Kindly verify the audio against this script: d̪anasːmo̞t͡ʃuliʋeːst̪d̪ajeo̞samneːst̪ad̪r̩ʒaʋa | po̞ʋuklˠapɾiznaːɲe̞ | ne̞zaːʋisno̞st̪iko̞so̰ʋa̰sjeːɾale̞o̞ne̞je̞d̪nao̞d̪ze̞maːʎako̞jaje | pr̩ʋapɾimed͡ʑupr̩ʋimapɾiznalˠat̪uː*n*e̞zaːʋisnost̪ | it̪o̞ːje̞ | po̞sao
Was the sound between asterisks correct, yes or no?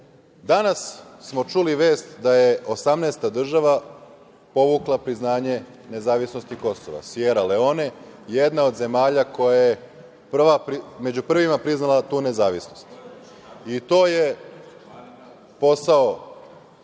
yes